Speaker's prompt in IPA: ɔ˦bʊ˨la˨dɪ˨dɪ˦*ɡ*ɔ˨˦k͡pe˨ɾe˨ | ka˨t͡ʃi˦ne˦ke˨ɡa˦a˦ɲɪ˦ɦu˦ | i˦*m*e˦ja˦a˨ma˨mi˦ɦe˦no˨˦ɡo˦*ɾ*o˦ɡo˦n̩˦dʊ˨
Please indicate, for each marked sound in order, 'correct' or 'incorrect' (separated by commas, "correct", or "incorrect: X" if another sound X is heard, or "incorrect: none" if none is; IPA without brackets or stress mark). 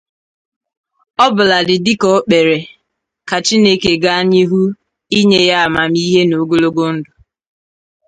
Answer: incorrect: k, incorrect: ɲ, incorrect: l